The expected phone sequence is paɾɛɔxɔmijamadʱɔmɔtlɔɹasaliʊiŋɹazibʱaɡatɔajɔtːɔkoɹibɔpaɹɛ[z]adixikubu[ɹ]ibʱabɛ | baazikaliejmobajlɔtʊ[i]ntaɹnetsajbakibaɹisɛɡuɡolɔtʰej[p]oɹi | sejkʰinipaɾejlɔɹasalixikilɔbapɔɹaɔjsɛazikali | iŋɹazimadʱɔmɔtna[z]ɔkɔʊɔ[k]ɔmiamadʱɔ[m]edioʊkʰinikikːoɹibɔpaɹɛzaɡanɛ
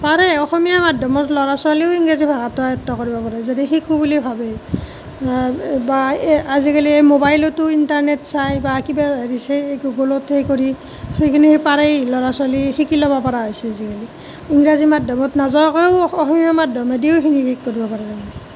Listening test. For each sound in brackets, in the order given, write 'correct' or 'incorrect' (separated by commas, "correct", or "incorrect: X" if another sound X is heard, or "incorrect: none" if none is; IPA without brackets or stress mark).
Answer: correct, incorrect: l, correct, incorrect: k, correct, incorrect: x, correct